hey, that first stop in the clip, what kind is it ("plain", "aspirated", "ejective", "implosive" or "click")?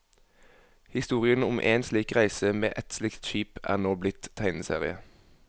plain